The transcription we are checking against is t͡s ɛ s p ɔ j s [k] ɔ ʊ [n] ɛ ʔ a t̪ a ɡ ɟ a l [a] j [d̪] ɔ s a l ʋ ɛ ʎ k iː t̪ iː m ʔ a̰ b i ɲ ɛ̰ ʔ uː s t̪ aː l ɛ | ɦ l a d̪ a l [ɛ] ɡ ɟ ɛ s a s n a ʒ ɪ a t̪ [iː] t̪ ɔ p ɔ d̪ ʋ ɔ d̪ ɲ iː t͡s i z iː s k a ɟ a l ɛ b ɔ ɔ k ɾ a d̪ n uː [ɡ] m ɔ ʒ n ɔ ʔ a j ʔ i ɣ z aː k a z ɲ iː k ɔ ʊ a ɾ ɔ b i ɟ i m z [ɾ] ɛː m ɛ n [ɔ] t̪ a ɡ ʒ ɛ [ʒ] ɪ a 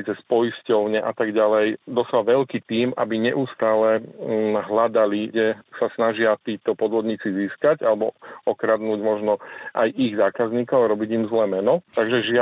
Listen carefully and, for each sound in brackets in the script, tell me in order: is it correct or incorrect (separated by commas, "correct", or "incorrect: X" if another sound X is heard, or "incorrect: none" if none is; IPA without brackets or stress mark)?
incorrect: c, incorrect: ɲ, incorrect: ɛ, correct, incorrect: i, correct, incorrect: ɟ, incorrect: l, correct, correct